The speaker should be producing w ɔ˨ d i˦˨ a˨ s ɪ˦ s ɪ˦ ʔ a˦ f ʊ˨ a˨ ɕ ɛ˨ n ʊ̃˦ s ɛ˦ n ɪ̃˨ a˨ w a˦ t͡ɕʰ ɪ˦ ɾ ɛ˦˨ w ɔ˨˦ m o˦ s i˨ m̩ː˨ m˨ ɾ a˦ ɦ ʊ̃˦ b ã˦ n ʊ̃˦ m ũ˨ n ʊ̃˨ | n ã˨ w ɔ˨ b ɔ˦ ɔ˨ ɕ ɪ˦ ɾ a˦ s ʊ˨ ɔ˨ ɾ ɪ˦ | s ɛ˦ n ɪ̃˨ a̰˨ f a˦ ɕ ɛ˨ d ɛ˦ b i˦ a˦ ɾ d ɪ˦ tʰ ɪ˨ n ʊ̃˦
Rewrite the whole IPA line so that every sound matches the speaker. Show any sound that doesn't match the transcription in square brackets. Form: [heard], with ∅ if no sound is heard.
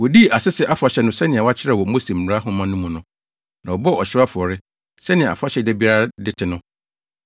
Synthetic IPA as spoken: w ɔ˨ d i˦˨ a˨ s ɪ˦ s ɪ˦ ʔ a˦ f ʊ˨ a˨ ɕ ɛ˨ n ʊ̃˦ s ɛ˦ n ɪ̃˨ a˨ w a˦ t͡ɕʰ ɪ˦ ɾ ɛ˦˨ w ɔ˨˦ m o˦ s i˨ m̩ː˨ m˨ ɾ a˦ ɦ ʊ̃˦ [m] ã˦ n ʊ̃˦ m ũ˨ n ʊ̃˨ | n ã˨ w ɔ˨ b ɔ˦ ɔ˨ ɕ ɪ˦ ɾ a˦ [f] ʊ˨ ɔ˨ ɾ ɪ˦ | s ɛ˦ n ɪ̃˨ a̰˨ f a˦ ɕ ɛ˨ d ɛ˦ b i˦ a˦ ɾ d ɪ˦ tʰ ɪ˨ n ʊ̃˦

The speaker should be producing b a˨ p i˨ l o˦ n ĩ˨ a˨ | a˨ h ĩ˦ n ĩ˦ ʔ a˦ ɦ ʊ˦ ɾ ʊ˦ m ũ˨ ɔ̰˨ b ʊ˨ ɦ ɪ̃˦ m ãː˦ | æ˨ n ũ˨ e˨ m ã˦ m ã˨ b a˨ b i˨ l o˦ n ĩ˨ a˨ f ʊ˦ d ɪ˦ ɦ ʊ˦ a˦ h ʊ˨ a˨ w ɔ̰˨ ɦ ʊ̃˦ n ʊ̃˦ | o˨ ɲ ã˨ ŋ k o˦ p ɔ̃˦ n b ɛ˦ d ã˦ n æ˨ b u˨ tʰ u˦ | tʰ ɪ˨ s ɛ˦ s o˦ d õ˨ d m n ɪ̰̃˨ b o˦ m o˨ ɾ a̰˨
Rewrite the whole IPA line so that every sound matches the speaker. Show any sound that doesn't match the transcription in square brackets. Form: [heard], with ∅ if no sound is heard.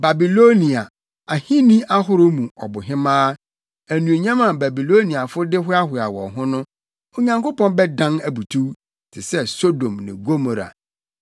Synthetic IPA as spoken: b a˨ [b] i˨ l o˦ n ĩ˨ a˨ | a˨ h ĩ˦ n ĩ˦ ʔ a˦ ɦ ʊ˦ ɾ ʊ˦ m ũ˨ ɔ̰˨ b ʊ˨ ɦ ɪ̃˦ m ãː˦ | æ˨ n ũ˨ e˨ [ɲ] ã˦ m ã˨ b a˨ b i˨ l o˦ n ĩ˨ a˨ f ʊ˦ d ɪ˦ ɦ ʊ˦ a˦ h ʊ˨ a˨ w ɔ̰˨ ɦ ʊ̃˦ n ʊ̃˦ | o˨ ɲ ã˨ ŋ k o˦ p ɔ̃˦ n b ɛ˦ d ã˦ n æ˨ b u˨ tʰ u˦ | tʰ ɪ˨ s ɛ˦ s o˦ d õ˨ [∅] m n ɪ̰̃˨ [ɡ] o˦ m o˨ ɾ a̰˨

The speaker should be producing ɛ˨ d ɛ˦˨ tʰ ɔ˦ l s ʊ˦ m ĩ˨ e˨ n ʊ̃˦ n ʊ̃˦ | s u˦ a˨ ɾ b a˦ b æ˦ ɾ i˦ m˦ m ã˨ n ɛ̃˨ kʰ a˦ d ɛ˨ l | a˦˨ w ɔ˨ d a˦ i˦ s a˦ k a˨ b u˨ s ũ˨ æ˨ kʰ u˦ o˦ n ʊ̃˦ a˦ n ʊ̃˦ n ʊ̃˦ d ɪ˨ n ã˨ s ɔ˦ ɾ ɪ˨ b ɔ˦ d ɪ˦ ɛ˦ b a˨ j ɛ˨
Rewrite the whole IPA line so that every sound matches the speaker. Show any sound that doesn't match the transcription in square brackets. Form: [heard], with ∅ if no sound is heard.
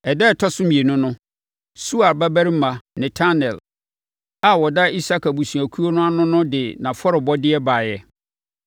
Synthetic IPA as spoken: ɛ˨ d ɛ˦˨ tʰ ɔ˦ [∅] s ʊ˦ m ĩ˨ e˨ n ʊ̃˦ n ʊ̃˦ | s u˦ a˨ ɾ b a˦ b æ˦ ɾ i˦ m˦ m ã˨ n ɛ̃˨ [tʰ] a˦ [n] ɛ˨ l | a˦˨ w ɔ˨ d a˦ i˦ s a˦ k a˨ b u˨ s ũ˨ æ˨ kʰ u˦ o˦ n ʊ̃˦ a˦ n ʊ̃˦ n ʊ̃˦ d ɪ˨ n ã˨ [f] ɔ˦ ɾ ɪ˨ b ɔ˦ d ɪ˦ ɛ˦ b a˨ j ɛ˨

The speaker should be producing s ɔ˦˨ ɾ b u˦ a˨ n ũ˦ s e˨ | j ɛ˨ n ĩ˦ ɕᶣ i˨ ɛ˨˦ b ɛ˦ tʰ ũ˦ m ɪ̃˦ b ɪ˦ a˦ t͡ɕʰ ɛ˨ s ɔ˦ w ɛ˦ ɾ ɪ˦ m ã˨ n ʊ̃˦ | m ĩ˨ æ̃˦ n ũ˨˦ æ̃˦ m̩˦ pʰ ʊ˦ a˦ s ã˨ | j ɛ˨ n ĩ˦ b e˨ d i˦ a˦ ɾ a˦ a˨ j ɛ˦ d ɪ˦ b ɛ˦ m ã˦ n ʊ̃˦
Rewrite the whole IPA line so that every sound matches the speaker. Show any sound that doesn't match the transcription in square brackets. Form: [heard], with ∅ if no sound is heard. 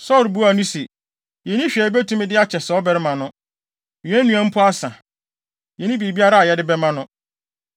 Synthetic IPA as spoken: s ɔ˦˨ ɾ b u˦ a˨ n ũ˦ s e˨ | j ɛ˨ n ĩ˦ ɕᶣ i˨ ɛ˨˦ b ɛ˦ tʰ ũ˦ m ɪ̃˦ [d] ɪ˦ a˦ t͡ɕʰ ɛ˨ s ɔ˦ [b] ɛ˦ ɾ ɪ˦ m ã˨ n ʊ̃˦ | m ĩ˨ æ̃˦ n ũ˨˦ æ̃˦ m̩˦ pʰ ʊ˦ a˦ s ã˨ | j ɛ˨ n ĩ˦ b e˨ [b] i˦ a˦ ɾ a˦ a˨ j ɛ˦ d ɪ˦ b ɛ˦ m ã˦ n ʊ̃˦

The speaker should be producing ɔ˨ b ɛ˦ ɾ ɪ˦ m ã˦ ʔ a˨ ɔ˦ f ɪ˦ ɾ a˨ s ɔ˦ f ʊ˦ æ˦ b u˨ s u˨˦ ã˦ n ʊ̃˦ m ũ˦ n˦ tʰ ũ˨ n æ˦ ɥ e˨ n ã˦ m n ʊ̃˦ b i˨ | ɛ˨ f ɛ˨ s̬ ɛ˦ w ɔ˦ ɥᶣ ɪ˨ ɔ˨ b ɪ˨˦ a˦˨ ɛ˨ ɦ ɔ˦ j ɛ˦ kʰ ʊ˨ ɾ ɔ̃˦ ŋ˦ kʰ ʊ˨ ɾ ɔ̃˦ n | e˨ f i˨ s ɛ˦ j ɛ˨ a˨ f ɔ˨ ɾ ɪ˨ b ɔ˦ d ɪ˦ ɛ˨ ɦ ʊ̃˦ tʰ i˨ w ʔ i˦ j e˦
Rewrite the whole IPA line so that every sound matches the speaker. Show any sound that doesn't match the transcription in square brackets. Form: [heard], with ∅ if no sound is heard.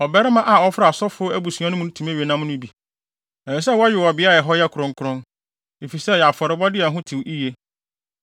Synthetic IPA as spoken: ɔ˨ b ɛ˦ ɾ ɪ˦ m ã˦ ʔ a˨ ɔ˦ f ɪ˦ ɾ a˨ s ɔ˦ f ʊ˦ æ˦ b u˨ s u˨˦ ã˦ n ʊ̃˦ m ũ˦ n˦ tʰ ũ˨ [m] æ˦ ɥ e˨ n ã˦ m n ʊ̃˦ b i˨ | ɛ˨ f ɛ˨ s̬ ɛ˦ w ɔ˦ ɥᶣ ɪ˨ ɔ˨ b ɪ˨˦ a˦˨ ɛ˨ ɦ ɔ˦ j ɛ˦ kʰ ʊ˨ ɾ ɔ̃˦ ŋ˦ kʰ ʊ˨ ɾ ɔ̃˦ n | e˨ f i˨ s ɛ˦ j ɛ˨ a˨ f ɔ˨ ɾ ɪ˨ b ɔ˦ d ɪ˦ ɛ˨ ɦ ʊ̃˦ tʰ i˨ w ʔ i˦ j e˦

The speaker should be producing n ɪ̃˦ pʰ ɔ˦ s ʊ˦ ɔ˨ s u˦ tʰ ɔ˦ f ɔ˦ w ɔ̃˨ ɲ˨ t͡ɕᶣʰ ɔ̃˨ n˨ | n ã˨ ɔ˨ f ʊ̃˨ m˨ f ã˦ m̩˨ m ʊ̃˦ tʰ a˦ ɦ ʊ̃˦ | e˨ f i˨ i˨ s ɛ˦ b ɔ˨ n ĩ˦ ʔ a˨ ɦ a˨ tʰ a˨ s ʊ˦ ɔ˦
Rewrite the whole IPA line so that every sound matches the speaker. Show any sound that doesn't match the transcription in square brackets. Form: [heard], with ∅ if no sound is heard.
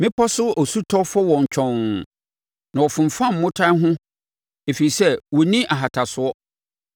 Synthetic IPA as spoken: [m] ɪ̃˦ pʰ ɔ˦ s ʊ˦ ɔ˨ s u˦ tʰ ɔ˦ f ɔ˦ w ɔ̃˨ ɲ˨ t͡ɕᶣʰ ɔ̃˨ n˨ | n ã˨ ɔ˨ f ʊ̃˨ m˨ f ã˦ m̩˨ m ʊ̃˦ tʰ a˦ ɦ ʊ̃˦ | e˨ f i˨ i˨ s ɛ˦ [w] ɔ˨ n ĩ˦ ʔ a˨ ɦ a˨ tʰ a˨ s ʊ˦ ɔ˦

